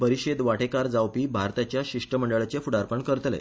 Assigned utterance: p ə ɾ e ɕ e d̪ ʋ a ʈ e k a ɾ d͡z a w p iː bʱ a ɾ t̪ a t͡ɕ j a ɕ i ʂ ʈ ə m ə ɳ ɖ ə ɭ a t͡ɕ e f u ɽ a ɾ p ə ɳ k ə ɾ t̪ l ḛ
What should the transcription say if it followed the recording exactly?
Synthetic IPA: p ə ɾ i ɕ e d̪ ʋ a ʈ e k a ɾ d͡z a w p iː bʱ a ɾ t̪ a t͡ɕ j a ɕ i ʂ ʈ ə m ə ɳ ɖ ə ɭ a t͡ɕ e f u ɽ a ɾ p ə ɳ k ə ɾ t̪ l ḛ